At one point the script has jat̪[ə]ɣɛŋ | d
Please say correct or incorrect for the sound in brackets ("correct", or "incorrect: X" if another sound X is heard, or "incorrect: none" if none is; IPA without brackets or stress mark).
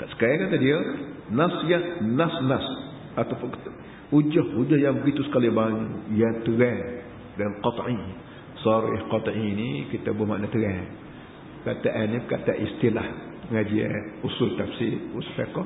correct